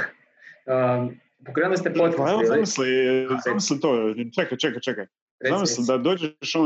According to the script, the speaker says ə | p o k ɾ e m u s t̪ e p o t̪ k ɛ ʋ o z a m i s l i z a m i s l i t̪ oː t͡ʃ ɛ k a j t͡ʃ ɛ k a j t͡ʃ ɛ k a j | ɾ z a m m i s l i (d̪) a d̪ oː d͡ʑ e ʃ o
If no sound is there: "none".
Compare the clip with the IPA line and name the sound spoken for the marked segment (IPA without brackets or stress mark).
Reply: d̪